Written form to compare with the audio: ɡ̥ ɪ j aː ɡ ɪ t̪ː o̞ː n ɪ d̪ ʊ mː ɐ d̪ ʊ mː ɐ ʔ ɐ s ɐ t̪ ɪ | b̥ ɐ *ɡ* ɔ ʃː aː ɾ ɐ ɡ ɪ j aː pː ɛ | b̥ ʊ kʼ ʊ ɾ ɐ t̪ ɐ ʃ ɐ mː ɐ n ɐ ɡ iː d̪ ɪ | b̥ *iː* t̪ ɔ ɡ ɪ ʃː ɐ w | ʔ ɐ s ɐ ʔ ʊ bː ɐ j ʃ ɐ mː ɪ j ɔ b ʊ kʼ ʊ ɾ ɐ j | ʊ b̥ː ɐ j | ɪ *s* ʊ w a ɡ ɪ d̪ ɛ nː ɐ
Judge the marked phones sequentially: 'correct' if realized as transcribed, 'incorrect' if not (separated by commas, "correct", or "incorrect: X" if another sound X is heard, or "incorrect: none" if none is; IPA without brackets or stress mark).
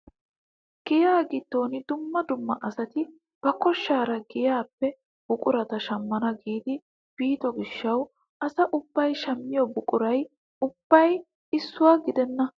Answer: incorrect: k, correct, incorrect: sː